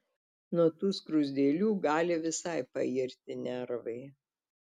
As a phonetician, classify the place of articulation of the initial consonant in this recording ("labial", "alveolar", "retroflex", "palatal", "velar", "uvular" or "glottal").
alveolar